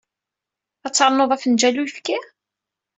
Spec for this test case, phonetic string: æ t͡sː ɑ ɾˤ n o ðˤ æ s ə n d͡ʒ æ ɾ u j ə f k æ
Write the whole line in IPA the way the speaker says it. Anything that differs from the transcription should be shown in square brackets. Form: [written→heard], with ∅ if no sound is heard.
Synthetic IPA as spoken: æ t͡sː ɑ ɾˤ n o ðˤ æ [s→f] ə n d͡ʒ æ [ɾ→l] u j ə f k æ